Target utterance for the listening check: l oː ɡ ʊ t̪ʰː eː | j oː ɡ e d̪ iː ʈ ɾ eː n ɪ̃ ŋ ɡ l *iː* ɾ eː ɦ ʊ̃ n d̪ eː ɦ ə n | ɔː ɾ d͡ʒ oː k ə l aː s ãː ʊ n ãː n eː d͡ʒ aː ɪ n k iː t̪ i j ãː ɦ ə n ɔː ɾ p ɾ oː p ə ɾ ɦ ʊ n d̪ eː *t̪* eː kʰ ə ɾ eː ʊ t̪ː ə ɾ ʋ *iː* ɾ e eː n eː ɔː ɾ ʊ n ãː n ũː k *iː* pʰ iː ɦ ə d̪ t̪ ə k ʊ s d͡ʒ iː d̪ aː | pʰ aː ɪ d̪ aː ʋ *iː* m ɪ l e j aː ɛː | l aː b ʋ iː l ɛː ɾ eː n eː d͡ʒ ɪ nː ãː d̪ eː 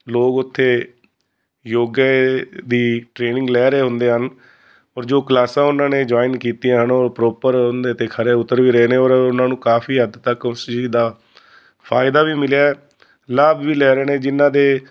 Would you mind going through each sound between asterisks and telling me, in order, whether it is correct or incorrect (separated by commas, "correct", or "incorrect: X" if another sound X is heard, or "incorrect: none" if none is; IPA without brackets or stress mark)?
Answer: incorrect: ɛː, correct, correct, incorrect: aː, correct